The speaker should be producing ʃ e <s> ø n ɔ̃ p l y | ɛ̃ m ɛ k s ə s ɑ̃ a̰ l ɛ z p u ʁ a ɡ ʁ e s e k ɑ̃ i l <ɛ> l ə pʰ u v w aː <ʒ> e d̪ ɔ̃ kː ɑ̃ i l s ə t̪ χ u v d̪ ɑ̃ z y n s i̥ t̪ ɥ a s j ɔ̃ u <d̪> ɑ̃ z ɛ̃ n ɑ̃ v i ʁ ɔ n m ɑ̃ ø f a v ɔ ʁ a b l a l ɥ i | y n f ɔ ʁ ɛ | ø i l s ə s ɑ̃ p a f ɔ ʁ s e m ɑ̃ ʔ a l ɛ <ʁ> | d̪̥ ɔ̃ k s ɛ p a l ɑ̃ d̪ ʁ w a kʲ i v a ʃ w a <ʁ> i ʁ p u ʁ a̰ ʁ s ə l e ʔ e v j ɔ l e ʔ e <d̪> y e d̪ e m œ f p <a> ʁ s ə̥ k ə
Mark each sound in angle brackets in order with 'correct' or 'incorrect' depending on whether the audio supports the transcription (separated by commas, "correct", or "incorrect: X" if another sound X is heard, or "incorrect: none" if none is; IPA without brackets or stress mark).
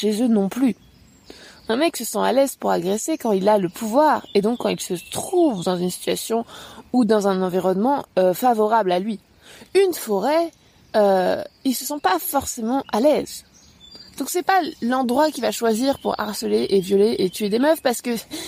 incorrect: z, incorrect: a, incorrect: ʁ, correct, incorrect: z, incorrect: z, incorrect: t̪, correct